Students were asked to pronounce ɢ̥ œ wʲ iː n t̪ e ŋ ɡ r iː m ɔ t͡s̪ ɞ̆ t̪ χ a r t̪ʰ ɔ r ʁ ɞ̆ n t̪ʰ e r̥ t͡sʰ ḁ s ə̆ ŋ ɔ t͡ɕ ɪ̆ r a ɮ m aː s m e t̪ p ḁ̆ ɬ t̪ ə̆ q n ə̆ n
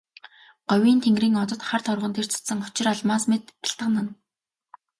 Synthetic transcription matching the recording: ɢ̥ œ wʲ iː n t̪ʰ e ŋ ɡ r iː ŋ ɔ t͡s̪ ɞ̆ t̪ χ a r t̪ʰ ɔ r ʁ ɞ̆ n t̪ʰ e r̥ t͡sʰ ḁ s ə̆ ŋ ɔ t͡ɕ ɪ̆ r a ɮ m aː s m e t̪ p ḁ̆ ɬ t̪ ə̆ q n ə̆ n